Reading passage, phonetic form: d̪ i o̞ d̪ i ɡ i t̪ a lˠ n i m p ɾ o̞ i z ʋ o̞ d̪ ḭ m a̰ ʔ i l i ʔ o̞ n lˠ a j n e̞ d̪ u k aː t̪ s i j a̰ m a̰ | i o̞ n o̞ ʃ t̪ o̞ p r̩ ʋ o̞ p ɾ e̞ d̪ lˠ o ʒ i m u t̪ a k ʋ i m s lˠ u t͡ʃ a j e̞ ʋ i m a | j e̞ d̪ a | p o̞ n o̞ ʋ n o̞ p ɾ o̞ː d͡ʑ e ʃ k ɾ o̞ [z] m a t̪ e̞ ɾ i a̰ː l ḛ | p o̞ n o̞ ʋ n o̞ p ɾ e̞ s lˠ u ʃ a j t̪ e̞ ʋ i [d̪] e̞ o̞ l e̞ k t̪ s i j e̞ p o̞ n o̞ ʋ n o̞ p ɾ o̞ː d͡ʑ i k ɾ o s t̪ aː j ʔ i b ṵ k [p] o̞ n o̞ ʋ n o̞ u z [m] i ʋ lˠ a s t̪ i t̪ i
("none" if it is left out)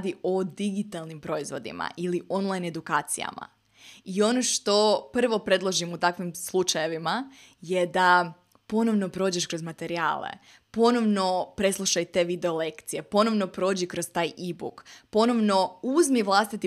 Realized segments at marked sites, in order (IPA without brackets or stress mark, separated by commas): z, d̪, p, m